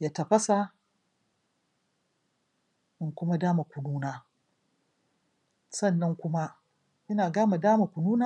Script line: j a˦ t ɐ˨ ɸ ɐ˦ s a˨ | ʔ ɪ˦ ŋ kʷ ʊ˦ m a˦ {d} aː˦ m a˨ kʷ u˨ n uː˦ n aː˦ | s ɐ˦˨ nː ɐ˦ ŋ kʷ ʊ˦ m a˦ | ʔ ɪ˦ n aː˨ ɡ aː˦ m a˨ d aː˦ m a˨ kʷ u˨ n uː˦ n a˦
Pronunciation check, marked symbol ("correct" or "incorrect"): correct